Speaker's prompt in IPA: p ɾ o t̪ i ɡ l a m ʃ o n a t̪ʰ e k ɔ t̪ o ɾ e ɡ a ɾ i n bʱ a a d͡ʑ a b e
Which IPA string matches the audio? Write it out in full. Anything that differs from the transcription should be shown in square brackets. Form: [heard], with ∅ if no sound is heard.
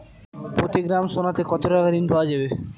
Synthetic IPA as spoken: p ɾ o t̪ i ɡ [ɾ] a m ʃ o n a [t̪] e k ɔ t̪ o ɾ [a] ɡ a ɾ i n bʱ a a d͡ʑ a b e